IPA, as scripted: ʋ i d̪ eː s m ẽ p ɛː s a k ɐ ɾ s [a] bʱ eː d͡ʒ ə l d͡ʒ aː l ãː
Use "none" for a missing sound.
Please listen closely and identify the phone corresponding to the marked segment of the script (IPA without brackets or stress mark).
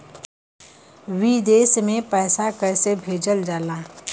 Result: e